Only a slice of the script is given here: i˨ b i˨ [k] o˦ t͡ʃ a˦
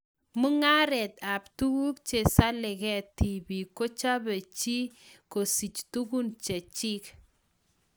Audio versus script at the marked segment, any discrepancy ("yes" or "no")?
no